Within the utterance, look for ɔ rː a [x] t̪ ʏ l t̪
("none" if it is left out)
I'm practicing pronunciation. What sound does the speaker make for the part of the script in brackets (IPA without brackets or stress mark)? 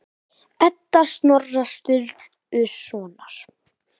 s